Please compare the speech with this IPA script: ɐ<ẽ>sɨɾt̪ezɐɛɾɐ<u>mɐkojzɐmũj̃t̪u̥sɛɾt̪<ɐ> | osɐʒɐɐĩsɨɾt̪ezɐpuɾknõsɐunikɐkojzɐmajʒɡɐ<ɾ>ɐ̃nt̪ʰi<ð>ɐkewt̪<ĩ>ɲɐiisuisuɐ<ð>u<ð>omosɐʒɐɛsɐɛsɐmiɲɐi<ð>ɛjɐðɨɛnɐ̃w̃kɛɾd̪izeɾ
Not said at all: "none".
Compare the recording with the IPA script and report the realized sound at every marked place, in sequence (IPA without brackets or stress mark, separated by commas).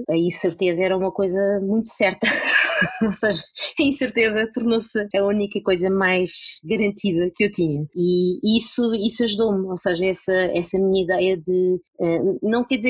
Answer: ĩ, u, ɐ, ɾ, ð, i, ʒ, ð, ð